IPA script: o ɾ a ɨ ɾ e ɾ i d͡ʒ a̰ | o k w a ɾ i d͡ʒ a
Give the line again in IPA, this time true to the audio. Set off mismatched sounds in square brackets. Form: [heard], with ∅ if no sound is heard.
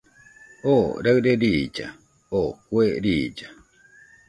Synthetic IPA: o ɾ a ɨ ɾ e ɾ i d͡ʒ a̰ | o k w [e] ɾ i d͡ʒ a